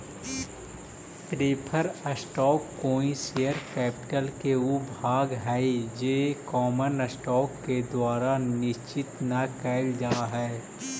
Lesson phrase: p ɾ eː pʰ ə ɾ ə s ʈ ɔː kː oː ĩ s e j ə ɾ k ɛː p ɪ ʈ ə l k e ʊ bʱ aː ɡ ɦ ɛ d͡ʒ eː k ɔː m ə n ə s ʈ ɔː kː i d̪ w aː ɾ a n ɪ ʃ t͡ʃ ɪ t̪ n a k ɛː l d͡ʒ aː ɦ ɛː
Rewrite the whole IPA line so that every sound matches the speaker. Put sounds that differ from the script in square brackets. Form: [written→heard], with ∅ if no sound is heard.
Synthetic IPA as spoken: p ɾ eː pʰ ə ɾ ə s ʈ ɔː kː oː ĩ s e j ə ɾ k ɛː p ɪ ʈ ə l k e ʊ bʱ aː ɡ ɦ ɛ d͡ʒ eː k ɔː m ə n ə s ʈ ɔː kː [i→e] d̪ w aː ɾ a n ɪ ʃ t͡ʃ ɪ t̪ n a k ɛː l d͡ʒ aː ɦ ɛː